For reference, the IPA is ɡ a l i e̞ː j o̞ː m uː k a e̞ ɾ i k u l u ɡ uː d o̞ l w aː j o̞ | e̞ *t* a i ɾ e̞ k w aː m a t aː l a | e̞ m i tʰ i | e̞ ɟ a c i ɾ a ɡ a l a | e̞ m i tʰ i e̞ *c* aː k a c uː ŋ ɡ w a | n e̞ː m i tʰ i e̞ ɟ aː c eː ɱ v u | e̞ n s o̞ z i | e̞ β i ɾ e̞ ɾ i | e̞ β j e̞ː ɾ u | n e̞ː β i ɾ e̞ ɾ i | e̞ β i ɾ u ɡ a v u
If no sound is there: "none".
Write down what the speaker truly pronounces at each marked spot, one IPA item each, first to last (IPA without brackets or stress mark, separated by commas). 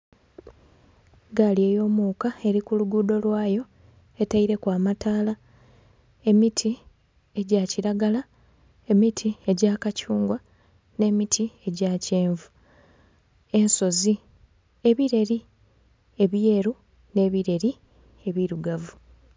t, ɟ